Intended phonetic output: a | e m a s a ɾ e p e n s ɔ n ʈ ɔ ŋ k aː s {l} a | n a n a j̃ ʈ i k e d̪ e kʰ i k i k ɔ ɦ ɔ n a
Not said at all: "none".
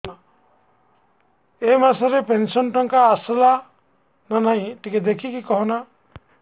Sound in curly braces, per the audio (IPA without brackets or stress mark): l